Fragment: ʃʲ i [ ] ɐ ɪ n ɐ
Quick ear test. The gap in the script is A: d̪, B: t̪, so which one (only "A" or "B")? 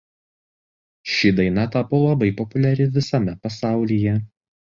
A